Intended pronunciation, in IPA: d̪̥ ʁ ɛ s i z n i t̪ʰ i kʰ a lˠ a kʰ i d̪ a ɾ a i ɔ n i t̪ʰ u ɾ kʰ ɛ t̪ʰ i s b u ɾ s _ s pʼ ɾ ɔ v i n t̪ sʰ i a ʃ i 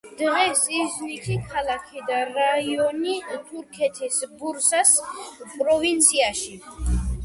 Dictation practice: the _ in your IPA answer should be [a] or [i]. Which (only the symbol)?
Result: a